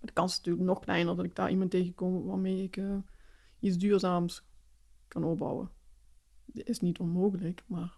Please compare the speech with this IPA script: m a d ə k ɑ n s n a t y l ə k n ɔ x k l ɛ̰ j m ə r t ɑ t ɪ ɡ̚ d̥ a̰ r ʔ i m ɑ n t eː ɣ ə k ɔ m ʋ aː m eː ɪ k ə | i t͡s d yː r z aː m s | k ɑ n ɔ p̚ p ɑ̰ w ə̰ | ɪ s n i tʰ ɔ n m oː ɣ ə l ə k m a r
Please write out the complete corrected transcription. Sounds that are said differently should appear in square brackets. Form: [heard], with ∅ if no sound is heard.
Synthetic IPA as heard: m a d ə k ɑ n s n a t [yː] l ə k n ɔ x k l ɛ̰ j [n] ə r [d] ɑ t ɪ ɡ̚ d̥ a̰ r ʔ i m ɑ n t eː ɣ ə k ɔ m ʋ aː m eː ɪ k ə | i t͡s d yː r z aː m s | k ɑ n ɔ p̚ [b] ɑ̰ w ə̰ | ɪ s n i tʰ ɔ n m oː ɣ ə l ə k m a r